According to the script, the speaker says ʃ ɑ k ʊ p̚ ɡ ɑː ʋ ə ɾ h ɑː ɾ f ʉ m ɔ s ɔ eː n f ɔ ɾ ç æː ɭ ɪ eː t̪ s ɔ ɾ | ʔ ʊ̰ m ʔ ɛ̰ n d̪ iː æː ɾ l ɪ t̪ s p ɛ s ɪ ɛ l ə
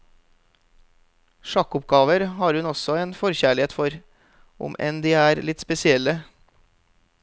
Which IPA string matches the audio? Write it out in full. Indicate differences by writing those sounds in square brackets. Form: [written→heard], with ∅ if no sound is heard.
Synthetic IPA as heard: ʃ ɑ k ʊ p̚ ɡ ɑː ʋ ə ɾ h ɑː ɾ [f→h] ʉ [m→n] ɔ s ɔ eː n f ɔ ɾ ç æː ɭ ɪ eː t̪ [s→f] ɔ ɾ | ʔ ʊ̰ m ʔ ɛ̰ n d̪ iː æː ɾ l ɪ t̪ s p ɛ s ɪ ɛ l ə